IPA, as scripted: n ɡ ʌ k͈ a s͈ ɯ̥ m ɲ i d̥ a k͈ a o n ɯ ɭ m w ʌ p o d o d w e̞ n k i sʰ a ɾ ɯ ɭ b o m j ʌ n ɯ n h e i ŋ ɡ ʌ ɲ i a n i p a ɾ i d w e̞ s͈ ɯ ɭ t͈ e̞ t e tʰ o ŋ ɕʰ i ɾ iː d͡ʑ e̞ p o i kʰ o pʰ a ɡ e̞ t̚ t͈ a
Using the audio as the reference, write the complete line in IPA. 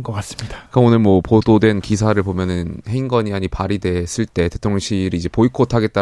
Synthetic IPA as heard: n ɡ ʌ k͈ a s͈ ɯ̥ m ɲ i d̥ a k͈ a o n ɯ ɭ m w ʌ p o d o d w e̞ n k i sʰ a ɾ ɯ ɭ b o m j ʌ n ɯ n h e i ŋ ɡ ʌ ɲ i a ɲ i p a ɾ i d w e̞ s͈ ɯ ɭ t͈ e̞ t e tʰ o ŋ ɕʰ i ɾ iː d͡ʑ e̞ p o i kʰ o tʰ a ɡ e̞ t̚ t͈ a